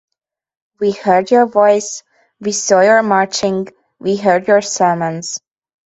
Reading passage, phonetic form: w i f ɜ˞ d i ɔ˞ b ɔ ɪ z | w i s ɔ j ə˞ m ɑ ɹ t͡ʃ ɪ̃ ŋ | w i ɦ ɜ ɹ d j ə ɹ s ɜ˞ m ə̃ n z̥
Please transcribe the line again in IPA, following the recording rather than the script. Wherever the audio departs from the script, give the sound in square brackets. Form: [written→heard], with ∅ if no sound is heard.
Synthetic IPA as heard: w i [f→h] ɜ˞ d [i→j] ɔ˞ [b→v] ɔ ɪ [z→s] | w i s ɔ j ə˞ m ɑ ɹ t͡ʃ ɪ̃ ŋ | w i ɦ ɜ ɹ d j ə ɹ s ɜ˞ m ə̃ n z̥